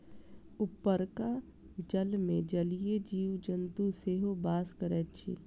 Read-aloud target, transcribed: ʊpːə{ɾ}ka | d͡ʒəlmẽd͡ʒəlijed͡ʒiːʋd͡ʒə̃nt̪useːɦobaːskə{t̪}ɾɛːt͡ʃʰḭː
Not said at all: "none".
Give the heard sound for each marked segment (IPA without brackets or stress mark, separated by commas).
ɾ, none